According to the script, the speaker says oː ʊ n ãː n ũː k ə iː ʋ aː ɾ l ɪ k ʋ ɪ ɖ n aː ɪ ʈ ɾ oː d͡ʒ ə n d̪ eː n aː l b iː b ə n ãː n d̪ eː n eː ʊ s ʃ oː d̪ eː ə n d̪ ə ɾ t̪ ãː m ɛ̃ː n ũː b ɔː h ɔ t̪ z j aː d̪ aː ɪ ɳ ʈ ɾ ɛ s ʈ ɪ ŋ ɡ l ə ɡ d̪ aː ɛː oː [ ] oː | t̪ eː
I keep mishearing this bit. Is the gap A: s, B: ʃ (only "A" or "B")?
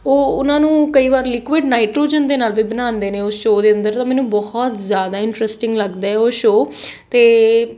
B